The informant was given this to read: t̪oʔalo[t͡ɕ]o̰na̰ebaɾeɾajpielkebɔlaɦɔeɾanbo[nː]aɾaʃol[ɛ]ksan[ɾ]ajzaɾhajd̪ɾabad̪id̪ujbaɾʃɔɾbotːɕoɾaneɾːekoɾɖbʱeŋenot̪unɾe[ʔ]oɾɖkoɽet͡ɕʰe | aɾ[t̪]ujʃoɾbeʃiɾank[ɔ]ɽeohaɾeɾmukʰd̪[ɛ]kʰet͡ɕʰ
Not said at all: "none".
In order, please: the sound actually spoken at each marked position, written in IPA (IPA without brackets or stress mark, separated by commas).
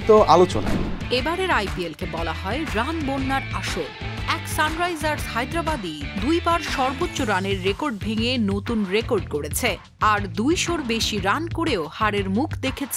t͡ɕ, nː, ɛ, ɾ, k, d̪, o, e